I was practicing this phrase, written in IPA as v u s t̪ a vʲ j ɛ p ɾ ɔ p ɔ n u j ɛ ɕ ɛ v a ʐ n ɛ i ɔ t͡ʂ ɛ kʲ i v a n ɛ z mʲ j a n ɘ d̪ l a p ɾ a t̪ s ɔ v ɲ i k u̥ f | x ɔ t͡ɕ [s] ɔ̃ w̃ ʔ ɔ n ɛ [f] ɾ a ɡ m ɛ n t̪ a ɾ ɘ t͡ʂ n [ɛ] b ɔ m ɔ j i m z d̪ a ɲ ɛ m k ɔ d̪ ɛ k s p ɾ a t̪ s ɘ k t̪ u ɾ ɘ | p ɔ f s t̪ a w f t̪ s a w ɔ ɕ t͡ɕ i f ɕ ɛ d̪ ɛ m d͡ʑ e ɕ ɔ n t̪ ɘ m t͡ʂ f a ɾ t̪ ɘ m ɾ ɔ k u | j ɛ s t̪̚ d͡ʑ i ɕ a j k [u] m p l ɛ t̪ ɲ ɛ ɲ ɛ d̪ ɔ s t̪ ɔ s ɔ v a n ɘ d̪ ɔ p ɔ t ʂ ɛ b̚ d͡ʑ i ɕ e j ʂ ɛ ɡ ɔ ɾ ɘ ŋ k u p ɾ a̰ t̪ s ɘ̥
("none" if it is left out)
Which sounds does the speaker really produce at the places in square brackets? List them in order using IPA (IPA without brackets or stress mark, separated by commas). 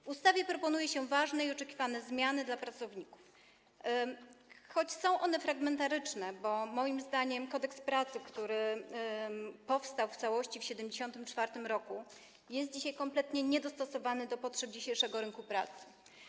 s, f, ɛ, ɔ